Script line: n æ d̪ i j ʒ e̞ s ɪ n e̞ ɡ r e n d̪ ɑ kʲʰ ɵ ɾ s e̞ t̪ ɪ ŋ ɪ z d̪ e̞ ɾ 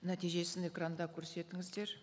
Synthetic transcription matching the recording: n æ t̪ i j ʒ e̞ s ɪ n e̞ k r a n d̪ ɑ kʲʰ ɵ ɾ s e̞ t̪ ɪ ŋ ɪ z d̪ e̞ ɾ